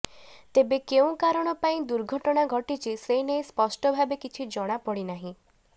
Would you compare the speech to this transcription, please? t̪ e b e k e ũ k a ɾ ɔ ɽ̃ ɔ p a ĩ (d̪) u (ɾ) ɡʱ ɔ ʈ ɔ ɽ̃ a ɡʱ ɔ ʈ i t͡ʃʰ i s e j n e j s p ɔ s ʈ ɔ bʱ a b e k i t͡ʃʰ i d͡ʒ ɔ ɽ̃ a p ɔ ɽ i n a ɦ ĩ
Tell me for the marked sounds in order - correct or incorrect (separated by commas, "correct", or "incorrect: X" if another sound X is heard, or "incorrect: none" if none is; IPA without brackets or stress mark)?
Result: correct, correct